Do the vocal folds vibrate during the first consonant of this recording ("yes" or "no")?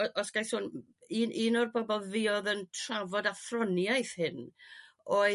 no